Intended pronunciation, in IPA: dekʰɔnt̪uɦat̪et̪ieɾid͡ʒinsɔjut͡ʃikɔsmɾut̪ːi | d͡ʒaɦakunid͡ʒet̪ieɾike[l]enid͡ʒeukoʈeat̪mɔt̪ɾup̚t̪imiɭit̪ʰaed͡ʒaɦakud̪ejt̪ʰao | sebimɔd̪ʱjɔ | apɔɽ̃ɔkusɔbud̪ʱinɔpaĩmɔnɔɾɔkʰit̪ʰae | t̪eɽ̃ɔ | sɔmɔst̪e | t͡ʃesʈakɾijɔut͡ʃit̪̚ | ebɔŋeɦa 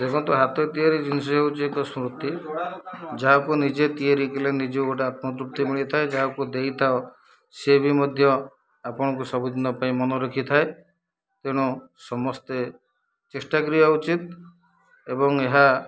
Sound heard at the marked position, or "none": l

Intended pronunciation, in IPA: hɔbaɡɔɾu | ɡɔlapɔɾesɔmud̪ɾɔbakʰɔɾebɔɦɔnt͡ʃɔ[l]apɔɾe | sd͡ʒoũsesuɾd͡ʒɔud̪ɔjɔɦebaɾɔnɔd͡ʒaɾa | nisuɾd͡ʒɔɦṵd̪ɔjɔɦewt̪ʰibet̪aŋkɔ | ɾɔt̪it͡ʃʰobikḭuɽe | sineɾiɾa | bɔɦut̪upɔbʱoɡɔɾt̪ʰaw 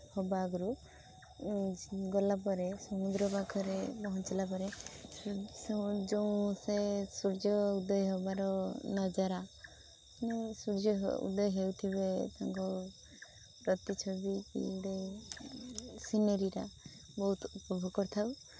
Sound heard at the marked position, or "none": l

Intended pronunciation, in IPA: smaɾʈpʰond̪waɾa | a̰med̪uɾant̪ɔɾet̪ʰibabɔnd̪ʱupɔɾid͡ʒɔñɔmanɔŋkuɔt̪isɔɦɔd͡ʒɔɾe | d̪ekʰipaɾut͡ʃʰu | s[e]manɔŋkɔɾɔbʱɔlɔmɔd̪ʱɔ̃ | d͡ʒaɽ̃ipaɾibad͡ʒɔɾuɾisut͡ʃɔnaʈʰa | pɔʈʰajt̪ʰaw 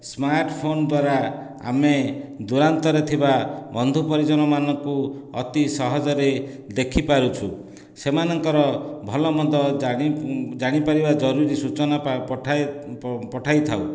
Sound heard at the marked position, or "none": e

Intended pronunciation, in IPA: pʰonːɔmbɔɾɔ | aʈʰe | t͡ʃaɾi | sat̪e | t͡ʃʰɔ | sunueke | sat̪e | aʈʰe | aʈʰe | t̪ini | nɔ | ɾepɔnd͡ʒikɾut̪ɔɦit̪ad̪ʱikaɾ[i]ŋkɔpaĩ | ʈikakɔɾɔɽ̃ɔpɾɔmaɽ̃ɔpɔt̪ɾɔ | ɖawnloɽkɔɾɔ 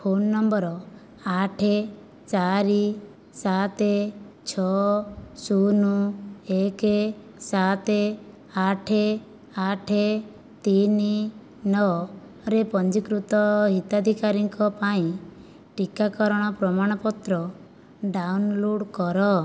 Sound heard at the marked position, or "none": i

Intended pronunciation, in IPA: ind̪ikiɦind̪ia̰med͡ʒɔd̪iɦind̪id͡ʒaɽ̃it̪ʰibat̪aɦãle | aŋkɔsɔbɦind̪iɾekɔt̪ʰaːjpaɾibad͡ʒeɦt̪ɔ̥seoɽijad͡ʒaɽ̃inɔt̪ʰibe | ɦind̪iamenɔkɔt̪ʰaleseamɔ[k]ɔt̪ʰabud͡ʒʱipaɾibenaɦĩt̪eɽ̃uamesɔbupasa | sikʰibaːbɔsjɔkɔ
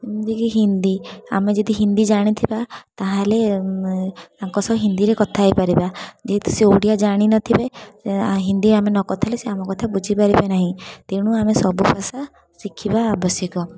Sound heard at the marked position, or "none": k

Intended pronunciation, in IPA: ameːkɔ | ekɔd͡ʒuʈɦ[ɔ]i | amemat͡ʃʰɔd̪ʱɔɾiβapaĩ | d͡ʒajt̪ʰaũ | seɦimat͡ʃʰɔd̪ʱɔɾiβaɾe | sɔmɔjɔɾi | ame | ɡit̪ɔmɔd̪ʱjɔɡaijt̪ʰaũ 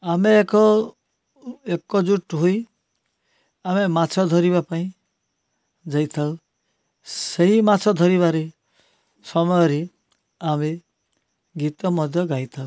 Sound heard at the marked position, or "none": o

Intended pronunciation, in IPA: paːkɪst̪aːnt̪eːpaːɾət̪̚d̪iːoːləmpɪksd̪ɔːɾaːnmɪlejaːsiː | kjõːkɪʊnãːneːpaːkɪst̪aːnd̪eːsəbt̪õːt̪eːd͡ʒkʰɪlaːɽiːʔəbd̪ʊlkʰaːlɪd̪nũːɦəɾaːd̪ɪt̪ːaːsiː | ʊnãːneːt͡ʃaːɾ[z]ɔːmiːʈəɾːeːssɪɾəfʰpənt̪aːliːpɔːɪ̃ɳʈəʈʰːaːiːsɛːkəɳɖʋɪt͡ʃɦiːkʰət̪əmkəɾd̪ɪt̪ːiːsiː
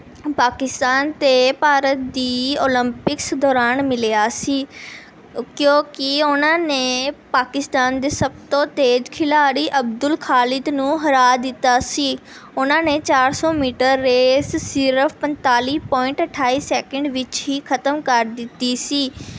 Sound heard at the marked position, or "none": s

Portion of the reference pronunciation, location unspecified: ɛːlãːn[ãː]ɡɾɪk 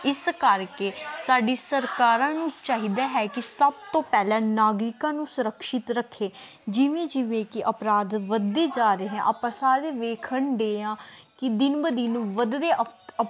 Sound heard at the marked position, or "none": aː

